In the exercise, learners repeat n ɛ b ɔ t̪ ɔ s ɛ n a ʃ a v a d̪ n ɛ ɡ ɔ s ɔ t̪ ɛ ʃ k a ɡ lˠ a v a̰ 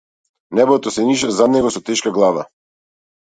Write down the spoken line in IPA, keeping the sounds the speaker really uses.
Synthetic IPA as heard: n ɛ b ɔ t̪ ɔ s ɛ n i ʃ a z a d̪ n ɛ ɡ ɔ s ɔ t̪ ɛ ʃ k a ɡ lˠ a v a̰